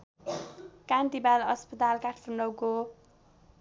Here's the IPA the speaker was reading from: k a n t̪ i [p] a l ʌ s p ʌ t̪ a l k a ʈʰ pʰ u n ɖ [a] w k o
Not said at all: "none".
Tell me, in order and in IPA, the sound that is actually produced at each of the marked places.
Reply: b, ʌ

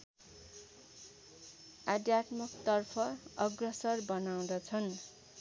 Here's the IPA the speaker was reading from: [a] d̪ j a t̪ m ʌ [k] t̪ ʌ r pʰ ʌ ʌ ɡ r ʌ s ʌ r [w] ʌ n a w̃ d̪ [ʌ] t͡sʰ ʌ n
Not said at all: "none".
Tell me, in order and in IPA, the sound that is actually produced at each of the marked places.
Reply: a, k, b, ʌ

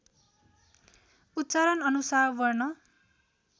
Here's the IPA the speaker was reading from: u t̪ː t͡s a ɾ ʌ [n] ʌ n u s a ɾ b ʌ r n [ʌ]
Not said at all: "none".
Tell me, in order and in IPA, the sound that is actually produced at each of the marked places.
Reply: n, ʌ

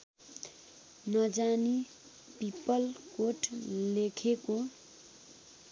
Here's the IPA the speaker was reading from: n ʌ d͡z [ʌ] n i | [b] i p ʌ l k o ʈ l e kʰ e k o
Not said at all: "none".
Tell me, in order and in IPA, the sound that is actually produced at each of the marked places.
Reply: a, p

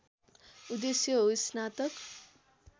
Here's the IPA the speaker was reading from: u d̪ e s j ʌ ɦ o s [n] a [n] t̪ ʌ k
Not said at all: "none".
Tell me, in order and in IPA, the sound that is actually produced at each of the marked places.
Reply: n, none

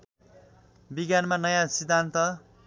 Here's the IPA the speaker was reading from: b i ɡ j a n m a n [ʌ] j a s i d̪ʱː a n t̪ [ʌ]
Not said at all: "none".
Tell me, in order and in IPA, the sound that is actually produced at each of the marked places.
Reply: ʌ, ʌ

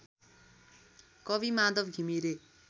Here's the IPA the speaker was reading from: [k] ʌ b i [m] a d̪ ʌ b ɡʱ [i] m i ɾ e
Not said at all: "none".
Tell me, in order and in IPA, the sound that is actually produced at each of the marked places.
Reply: k, m, i

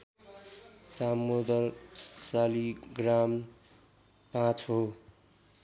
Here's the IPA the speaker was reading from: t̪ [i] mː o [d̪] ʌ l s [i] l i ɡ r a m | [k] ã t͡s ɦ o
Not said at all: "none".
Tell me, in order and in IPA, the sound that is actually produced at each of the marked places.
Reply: a, d̪, a, p

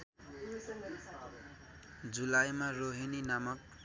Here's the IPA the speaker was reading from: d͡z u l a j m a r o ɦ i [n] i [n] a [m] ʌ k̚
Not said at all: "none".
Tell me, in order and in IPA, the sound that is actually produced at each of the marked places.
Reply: n, n, m

